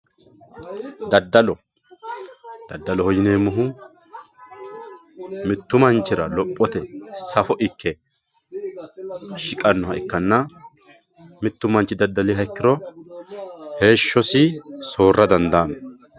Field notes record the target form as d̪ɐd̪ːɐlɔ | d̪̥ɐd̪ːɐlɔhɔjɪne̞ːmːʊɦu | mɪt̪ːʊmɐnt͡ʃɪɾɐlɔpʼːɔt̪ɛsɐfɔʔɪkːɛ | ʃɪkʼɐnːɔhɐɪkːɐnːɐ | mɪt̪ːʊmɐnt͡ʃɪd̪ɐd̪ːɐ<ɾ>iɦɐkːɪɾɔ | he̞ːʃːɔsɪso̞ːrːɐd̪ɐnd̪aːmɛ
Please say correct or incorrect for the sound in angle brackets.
incorrect